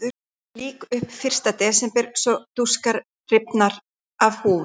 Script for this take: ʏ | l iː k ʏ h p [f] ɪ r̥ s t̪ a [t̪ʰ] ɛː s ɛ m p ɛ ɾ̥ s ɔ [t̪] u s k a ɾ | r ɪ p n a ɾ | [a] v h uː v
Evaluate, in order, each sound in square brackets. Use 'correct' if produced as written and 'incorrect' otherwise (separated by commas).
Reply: correct, incorrect, correct, correct